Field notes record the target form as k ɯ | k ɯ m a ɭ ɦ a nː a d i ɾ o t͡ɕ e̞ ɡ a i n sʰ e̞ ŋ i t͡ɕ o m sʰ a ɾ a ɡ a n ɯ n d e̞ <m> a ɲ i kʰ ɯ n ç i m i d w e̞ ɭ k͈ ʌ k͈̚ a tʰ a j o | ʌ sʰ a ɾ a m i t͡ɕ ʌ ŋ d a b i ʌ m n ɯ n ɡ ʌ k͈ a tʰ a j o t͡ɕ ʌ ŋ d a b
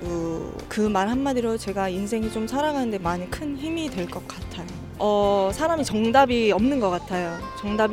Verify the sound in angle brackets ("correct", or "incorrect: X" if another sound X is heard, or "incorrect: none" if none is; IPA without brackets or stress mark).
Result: correct